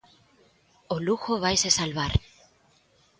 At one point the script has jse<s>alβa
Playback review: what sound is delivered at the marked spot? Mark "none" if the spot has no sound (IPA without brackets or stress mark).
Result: s